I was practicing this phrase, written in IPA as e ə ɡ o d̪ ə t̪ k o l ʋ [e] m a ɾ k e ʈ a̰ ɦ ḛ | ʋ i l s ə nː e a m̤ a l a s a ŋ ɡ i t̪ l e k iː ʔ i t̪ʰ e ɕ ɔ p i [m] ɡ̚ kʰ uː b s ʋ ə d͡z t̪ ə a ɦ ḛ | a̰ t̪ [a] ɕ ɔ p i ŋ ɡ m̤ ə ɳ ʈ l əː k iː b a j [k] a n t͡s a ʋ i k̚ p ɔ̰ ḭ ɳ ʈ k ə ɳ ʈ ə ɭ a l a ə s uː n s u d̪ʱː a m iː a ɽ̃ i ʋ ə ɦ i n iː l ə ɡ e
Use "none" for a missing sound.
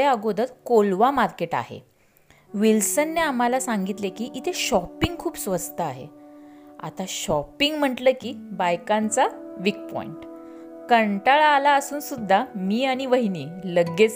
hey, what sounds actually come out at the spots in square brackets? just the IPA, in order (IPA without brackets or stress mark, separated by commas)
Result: a, ŋ, a, k